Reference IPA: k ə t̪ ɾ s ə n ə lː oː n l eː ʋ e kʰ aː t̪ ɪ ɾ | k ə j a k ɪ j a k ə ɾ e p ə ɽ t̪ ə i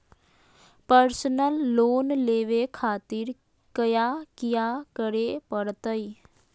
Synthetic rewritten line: p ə ɾ s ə n ə lː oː n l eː ʋ e kʰ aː t̪ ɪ ɾ | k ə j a k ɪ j a k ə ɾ e p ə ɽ t̪ ə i